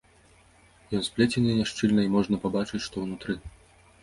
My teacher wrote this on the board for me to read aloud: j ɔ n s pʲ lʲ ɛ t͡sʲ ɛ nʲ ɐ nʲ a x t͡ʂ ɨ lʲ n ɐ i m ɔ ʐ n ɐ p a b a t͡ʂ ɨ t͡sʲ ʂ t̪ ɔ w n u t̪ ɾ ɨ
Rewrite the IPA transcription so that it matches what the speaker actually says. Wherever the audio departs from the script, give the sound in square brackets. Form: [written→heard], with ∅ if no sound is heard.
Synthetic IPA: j ɔ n s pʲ lʲ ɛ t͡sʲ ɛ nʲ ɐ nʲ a [x→ʂ] t͡ʂ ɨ lʲ n ɐ i m ɔ ʐ n ɐ p a b a t͡ʂ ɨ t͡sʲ ʂ t̪ ɔ w n u t̪ ɾ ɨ